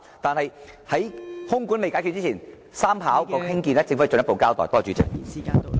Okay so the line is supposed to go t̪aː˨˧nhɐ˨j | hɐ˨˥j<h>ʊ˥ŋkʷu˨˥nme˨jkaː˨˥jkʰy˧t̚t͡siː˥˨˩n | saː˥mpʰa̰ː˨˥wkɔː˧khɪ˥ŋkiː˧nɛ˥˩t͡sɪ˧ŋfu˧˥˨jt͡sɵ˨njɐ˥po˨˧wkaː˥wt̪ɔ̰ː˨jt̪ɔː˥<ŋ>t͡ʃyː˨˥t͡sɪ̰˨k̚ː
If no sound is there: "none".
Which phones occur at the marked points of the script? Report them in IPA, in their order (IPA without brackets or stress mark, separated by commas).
h, none